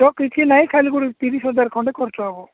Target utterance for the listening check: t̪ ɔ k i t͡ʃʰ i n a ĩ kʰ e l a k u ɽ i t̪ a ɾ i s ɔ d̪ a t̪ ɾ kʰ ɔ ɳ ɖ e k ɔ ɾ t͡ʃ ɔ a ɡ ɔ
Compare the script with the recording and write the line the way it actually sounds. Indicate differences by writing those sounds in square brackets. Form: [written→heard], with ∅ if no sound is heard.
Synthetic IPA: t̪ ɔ k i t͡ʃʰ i n a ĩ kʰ [e→a] l [a→i] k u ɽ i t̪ [a→i] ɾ i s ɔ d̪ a [t̪→∅] ɾ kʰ ɔ ɳ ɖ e k ɔ ɾ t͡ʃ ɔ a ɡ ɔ